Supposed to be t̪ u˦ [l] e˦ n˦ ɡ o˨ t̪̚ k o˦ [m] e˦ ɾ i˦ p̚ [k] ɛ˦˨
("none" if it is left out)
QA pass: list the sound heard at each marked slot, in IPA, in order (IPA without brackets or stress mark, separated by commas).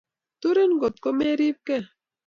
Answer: ɾ, m, k